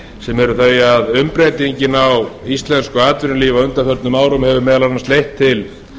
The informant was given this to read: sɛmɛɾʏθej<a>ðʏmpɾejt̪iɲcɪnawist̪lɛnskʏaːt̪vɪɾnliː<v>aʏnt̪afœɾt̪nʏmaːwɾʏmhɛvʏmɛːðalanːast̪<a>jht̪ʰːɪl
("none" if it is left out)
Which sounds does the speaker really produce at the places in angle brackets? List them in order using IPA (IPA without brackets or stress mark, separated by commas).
a, v, e